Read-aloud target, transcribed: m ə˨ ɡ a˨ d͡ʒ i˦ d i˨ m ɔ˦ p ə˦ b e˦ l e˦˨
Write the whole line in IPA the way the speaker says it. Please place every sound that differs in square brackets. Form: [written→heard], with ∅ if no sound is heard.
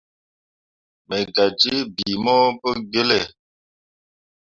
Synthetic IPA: m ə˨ ɡ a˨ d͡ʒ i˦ [d→b] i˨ m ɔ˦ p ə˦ [b→ɡ] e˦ l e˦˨

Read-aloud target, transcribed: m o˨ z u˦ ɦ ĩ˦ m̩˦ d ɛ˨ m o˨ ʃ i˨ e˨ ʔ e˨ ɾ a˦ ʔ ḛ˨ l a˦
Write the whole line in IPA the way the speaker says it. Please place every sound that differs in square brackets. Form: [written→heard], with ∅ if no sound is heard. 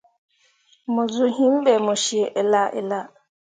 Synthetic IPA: m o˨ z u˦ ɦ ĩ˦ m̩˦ [d→b] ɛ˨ m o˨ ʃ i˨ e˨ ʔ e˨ [ɾ→l] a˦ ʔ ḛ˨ l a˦

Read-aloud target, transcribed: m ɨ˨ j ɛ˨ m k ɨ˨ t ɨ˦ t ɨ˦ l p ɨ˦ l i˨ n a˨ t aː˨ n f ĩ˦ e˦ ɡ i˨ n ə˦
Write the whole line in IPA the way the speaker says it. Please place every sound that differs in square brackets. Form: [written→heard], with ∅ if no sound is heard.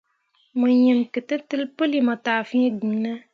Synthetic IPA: m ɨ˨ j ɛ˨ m k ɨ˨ t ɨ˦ t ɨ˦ l p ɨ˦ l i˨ [n→m] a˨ t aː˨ [n→∅] f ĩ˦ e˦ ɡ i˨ n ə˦

